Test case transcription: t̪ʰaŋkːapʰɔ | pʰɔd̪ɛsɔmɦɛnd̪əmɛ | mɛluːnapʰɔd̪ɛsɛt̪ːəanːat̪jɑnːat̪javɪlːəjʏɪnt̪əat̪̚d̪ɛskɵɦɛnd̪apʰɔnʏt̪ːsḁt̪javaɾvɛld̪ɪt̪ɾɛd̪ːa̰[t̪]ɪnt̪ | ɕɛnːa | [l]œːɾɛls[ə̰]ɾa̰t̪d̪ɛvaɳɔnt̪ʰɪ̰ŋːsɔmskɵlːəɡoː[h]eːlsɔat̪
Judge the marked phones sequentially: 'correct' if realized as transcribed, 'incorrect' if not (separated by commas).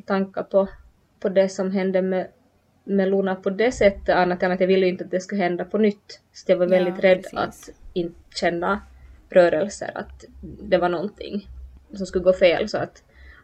correct, incorrect, correct, incorrect